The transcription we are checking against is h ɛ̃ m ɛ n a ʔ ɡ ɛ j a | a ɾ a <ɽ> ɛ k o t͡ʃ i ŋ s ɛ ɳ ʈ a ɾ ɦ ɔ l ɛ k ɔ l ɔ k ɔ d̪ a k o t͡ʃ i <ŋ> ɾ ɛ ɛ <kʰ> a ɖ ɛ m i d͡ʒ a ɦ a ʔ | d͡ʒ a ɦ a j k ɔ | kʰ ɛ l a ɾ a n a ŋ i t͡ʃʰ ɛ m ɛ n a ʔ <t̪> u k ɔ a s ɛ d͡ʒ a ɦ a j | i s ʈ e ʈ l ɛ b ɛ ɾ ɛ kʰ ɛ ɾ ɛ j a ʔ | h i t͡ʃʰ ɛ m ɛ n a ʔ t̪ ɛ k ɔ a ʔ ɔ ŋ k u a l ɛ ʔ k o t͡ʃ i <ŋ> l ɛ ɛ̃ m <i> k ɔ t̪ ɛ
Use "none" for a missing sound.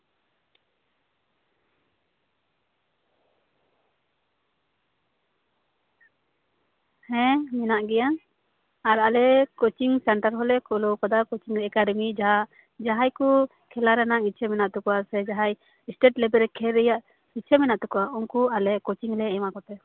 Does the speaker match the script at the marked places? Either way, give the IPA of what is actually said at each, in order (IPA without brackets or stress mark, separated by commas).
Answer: l, ŋ, k, t̪, ŋ, a